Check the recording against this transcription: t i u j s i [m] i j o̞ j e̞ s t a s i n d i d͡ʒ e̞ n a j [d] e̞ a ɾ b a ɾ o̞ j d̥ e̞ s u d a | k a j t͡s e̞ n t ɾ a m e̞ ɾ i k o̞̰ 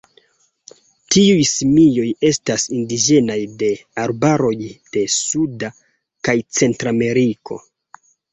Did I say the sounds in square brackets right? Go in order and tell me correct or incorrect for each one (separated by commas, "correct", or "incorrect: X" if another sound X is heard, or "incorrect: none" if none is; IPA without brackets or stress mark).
correct, correct